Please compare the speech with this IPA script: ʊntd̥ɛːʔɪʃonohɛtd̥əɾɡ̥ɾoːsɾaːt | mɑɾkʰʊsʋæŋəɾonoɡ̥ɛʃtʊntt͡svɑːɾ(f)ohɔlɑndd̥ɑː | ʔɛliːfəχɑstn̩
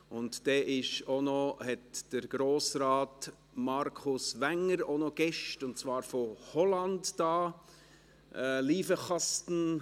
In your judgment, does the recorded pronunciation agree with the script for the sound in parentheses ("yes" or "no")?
yes